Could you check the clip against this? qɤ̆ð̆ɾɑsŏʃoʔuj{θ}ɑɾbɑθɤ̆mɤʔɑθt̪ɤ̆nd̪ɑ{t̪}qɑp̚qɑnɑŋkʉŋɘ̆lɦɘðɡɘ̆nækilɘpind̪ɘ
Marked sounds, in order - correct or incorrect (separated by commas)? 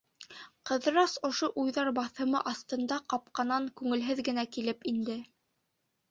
incorrect, incorrect